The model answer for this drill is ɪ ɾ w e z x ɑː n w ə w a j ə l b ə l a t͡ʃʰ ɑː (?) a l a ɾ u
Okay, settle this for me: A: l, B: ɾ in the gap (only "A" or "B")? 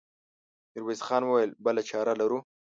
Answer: B